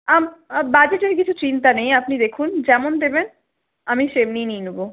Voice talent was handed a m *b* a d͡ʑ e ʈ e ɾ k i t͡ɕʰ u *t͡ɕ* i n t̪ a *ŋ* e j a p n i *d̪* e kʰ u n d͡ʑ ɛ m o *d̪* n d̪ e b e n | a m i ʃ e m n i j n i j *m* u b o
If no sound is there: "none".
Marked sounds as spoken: b, t͡ɕ, n, d̪, none, n

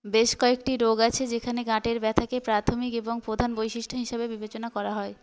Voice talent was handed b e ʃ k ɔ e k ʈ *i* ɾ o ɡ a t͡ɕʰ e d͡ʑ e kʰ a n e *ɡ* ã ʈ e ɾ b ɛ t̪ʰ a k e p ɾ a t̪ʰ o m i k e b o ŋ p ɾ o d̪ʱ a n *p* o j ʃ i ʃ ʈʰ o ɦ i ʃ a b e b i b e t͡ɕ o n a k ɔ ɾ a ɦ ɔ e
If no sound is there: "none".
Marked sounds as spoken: i, ɡ, b

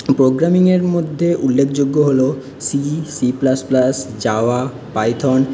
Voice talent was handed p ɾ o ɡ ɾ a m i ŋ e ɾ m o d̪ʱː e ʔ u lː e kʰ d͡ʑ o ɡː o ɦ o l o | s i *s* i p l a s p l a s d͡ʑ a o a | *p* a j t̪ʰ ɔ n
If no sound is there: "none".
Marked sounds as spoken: s, p

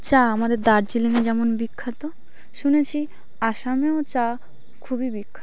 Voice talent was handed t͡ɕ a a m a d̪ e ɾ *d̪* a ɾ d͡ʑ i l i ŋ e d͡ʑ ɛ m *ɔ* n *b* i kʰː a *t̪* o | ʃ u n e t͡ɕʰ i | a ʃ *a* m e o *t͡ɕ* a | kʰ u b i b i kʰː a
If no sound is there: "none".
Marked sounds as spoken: d̪, o, b, t̪, a, t͡ɕ

